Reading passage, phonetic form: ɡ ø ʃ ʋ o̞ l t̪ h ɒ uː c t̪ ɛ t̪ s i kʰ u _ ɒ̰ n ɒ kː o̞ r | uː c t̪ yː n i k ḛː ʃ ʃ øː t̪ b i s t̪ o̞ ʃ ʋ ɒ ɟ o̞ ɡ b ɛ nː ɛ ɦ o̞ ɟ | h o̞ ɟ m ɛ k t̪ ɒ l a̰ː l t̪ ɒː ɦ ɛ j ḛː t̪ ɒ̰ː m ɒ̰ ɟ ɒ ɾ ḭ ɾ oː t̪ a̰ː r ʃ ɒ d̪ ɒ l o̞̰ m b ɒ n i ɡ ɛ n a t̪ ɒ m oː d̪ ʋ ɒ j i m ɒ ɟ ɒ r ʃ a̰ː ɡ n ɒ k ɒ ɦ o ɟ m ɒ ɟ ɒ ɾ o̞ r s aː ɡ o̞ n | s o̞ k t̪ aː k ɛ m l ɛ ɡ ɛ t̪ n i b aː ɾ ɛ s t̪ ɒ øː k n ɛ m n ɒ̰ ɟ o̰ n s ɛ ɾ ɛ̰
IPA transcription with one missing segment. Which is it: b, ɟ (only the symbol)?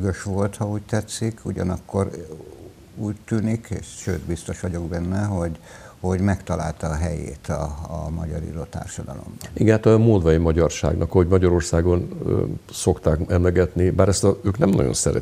ɟ